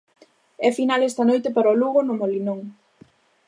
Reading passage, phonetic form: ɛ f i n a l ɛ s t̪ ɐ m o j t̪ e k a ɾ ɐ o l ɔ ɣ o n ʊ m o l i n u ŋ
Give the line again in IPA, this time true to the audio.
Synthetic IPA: ɛ f i n a l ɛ s t̪ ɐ n o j t̪ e p a ɾ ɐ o l u ɣ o n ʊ m o l i n o ŋ